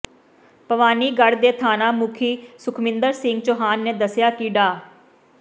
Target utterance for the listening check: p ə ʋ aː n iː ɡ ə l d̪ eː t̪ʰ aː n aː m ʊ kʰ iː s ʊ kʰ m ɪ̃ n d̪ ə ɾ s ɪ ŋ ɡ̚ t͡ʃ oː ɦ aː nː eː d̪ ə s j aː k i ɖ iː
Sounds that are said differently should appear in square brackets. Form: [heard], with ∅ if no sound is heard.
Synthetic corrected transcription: p ə ʋ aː n iː ɡ ə [ɽ] d̪ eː t̪ʰ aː n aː m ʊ kʰ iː s ʊ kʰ m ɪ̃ n d̪ ə ɾ s ɪ ŋ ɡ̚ t͡ʃ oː ɦ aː nː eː d̪ ə s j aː k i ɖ [aː]